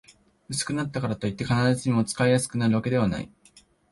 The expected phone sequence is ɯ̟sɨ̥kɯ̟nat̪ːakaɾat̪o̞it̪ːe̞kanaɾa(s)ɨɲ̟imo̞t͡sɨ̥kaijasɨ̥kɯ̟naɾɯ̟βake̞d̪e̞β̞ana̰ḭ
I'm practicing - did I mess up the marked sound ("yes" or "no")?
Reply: yes